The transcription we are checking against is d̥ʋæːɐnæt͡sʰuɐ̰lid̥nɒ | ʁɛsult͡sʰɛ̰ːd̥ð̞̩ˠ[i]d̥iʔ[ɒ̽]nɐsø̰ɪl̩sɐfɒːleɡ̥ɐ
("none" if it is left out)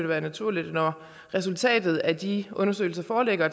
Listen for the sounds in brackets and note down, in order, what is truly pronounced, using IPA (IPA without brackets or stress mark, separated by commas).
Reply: æ, ɔ̽